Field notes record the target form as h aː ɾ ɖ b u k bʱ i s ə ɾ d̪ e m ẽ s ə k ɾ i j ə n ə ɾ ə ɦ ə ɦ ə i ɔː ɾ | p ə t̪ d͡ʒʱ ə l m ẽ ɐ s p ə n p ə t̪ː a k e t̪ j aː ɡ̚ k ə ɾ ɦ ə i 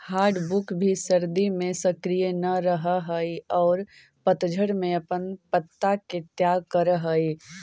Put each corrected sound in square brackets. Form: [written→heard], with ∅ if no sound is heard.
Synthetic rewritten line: h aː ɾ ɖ b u k bʱ i s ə ɾ d̪ [e→i] m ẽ s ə k ɾ i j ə n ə ɾ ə ɦ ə ɦ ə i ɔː ɾ | p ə t̪ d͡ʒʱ ə [l→ɽ] m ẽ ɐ [s→∅] p ə n p ə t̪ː a k e t̪ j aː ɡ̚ k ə ɾ ɦ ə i